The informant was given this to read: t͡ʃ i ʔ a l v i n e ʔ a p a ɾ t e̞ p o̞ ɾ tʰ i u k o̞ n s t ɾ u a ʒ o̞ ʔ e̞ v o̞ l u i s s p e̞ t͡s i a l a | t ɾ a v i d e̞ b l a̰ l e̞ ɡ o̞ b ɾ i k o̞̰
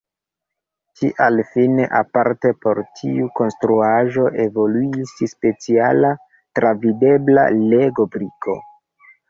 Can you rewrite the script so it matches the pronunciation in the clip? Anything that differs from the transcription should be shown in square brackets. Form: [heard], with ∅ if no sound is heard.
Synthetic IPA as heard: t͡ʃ i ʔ a l [f] i n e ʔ a p a ɾ t e̞ p o̞ ɾ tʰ i u k o̞ n s t ɾ u a ʒ o̞ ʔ e̞ v o̞ l u i s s p e̞ t͡s i a l a | t ɾ a v i d e̞ b l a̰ l e̞ ɡ o̞ b ɾ i k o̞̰